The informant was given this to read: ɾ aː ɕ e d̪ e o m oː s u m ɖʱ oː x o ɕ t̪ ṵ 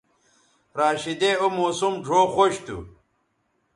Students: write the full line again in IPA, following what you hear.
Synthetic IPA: ɾ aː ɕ i d̪ e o m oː s u m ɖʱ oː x o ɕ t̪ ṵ